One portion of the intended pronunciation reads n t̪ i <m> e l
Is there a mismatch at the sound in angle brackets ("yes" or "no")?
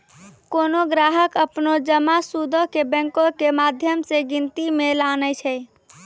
no